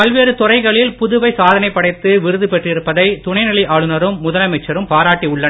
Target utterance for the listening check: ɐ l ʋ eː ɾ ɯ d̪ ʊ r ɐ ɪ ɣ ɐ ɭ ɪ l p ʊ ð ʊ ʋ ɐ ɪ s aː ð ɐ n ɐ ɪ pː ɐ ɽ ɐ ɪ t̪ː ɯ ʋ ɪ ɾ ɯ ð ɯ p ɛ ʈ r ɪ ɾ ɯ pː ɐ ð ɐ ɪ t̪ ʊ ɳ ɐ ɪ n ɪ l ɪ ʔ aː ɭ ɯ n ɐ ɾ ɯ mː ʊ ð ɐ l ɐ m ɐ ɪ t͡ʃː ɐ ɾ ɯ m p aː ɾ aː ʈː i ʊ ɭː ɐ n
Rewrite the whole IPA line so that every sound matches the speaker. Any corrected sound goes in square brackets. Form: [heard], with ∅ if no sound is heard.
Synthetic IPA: ɐ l ʋ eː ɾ ɯ [t̪] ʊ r ɐ ɪ ɣ ɐ ɭ ɪ l p ʊ ð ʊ ʋ ɐ ɪ s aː ð ɐ n ɐ ɪ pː ɐ ɽ ɐ ɪ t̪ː ɯ ʋ ɪ ɾ ɯ ð ɯ p ɛ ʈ r ɪ ɾ ɯ pː ɐ ð ɐ ɪ t̪ ʊ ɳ ɐ ɪ n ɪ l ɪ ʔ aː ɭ ɯ n ɐ ɾ ɯ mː ʊ ð ɐ l ɐ m ɐ ɪ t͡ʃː ɐ ɾ ɯ m p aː ɾ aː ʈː i ʊ ɭː ɐ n